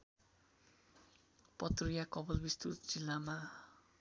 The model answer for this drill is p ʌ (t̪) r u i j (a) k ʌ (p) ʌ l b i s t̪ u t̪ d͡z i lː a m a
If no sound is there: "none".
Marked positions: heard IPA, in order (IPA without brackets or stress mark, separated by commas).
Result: t̪, a, b